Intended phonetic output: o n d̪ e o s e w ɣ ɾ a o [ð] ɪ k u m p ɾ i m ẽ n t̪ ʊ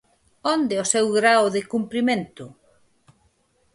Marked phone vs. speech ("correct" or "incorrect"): correct